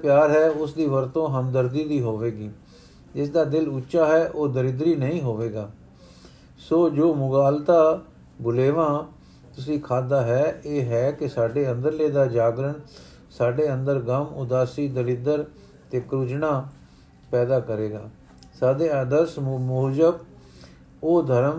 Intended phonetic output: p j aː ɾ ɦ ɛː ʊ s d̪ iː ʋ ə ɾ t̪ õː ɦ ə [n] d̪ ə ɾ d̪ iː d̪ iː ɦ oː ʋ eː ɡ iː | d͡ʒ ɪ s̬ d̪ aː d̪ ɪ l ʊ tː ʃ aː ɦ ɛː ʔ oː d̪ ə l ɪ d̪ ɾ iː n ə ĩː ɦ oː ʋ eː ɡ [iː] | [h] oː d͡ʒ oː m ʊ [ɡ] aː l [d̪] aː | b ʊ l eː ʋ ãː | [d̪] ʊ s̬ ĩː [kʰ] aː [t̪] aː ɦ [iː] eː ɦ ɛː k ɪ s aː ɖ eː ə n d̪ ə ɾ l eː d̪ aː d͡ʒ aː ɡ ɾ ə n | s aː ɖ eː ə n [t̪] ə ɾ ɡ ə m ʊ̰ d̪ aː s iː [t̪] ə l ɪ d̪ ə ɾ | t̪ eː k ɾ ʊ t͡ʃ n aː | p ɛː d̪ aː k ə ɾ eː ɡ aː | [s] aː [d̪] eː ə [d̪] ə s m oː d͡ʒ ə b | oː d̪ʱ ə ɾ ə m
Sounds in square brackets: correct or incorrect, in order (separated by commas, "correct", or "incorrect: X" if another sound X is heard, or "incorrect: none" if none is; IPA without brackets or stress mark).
incorrect: m, incorrect: aː, incorrect: s, correct, incorrect: t̪, incorrect: t̪, correct, incorrect: d̪, incorrect: ɛː, incorrect: d̪, incorrect: d̪, correct, correct, correct